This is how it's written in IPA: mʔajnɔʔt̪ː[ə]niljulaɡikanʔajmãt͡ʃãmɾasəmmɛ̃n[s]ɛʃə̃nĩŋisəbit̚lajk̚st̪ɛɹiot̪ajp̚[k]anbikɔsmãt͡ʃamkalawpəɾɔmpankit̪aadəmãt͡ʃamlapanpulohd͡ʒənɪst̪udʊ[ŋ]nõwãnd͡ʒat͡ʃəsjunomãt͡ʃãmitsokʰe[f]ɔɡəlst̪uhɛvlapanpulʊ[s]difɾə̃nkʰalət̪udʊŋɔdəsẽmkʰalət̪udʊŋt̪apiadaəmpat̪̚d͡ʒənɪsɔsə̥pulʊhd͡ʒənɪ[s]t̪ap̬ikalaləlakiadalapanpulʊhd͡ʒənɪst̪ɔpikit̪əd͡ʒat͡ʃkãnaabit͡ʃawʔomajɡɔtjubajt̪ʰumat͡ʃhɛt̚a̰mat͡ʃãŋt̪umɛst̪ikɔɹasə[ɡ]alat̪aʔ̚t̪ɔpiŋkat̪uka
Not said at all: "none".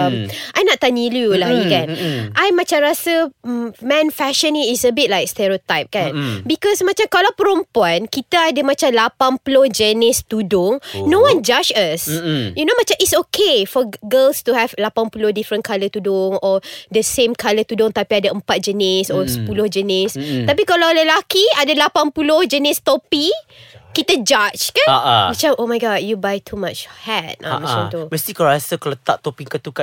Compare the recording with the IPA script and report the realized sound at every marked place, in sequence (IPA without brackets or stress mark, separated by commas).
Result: a, f, k, ŋ, f, h, s, k